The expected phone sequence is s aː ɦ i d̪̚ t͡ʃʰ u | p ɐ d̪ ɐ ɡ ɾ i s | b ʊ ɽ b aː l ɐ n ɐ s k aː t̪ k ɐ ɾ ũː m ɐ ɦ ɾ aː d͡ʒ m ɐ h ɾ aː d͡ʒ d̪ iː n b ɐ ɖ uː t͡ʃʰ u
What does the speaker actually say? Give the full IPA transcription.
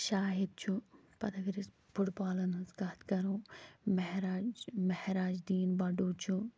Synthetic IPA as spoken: ʃ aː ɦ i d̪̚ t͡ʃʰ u | p ɐ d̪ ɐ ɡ ɾ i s | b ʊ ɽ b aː l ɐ n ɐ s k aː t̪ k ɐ ɾ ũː m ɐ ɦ ɾ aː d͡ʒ m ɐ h ɾ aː d͡ʒ d̪ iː n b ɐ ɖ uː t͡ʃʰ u